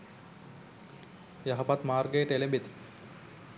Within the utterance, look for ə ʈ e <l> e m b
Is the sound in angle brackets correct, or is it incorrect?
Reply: correct